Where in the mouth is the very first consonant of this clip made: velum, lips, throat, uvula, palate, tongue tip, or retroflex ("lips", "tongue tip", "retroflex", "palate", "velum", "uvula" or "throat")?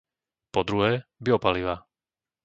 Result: lips